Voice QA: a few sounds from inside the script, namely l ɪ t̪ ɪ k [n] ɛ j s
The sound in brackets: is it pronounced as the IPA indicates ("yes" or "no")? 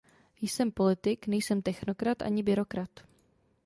yes